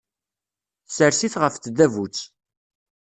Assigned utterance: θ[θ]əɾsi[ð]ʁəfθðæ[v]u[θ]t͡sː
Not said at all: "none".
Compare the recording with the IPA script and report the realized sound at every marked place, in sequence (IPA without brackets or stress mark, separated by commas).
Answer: s, θ, v, none